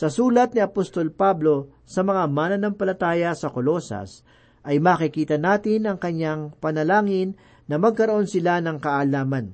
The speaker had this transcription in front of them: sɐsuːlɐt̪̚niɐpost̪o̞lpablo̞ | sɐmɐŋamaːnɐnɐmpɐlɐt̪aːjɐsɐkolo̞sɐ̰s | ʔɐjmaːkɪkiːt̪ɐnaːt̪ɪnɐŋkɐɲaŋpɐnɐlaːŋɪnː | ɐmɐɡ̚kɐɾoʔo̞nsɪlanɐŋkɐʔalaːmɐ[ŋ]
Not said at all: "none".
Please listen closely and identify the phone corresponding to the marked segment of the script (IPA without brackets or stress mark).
n